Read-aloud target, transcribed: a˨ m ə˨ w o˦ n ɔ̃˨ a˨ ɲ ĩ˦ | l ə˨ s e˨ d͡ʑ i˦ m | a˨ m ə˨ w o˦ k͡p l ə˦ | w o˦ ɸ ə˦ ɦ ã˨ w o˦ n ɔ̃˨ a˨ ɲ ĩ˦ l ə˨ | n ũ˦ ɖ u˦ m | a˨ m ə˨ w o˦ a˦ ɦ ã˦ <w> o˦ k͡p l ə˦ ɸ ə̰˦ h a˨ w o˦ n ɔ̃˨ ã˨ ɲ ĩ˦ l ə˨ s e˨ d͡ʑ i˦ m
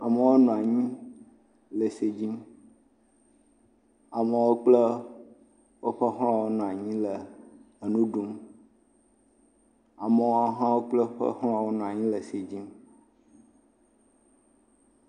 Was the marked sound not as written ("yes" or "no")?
no